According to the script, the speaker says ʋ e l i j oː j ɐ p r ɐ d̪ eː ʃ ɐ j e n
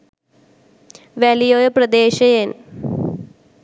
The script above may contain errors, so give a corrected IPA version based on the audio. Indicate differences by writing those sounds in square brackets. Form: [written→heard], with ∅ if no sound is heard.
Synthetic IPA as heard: ʋ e l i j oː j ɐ p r ɐ d̪ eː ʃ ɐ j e n